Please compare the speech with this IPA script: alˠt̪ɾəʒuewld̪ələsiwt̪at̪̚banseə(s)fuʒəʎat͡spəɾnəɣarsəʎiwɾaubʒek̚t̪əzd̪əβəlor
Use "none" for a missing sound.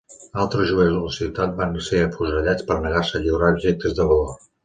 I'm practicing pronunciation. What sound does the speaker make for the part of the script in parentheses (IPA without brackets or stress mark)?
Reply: none